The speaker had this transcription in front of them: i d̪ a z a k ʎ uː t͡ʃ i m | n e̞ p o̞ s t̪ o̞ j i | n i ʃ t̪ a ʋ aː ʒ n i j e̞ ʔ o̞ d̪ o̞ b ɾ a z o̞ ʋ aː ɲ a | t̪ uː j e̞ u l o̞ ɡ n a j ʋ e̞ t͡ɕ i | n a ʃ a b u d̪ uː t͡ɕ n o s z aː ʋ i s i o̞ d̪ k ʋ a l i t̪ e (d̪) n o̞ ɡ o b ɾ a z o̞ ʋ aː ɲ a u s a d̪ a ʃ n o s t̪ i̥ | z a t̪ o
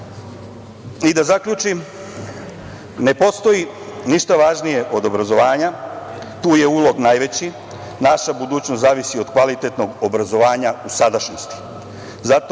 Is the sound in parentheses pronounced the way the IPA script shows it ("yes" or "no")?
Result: no